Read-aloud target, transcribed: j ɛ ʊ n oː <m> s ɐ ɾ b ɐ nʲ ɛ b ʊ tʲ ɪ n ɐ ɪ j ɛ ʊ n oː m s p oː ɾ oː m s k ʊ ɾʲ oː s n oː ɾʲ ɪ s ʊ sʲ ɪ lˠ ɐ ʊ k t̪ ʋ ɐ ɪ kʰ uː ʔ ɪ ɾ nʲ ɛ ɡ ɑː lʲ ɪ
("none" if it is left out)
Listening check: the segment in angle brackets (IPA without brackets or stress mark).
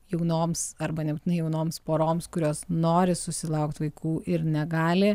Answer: m